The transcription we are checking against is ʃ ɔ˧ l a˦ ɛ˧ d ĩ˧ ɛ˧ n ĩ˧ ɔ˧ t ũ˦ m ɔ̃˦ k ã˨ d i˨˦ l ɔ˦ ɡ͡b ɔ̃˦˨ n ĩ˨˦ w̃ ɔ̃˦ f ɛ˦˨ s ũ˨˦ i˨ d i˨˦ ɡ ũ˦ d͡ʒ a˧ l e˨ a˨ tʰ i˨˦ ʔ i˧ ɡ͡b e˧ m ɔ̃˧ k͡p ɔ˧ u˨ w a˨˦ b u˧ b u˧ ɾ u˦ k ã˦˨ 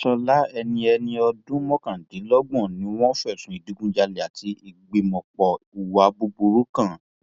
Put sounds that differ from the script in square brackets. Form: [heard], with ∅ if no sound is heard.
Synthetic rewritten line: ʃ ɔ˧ l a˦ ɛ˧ [n] ĩ˧ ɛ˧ n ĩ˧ ɔ˧ [d] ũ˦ m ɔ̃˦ k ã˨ d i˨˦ l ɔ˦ ɡ͡b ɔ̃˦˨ n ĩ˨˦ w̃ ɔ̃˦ f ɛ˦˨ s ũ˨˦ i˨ d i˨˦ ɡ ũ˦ d͡ʒ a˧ l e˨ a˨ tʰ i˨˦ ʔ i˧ ɡ͡b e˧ m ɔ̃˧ k͡p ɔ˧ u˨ w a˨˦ b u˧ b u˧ ɾ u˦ k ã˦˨